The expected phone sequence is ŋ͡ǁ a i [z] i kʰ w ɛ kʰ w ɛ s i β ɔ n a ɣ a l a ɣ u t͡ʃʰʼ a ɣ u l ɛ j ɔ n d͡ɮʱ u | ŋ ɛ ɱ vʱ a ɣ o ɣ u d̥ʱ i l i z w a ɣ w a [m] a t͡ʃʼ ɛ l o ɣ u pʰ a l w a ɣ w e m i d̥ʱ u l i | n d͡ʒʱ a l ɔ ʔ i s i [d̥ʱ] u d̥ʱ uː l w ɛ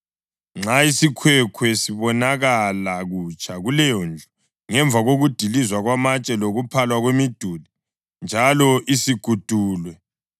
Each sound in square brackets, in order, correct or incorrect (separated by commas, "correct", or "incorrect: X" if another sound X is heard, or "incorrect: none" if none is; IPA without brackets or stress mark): incorrect: s, correct, incorrect: ɡ̥ʱ